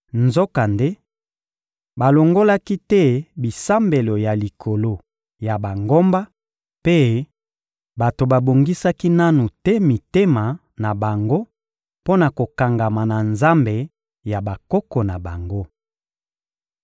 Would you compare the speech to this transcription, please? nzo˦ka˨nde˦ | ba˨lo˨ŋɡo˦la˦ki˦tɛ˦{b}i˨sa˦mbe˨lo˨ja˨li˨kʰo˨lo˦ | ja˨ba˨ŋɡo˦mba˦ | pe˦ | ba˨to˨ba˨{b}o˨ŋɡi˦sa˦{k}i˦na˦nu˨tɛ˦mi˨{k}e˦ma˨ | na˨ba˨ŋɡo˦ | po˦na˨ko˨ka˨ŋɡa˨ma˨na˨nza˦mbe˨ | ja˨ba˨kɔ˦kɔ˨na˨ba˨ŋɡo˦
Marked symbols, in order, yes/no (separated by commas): yes, yes, yes, no